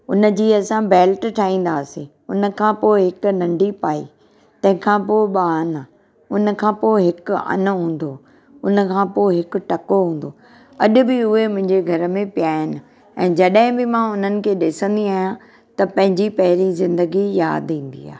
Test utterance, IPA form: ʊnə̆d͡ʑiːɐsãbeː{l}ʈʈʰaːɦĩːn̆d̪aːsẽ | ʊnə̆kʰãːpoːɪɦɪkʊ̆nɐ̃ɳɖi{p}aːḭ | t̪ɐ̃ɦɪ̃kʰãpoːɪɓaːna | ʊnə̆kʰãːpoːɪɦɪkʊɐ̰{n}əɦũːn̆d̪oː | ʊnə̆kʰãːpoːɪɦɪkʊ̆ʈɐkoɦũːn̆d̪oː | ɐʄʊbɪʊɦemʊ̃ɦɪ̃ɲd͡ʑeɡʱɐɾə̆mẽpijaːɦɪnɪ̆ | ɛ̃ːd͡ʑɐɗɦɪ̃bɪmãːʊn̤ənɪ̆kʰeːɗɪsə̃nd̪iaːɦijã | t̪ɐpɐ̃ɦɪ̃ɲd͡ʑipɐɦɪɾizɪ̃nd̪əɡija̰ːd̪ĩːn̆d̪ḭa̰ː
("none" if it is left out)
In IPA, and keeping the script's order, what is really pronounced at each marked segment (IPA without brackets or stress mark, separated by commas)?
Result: l, p, n